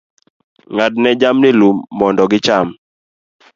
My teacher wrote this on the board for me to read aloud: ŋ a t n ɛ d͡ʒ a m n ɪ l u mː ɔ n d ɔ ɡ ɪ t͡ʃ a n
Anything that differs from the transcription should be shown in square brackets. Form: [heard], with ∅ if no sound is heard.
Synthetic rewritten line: ŋ a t n ɛ d͡ʒ a m n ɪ l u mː ɔ n d ɔ ɡ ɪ t͡ʃ a [m]